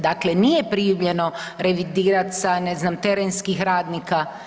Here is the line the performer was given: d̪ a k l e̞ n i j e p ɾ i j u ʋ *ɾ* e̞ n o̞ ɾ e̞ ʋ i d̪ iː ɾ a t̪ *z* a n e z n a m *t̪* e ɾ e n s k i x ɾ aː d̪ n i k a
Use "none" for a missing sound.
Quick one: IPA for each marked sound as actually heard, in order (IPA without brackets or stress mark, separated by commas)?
ʎ, s, t̪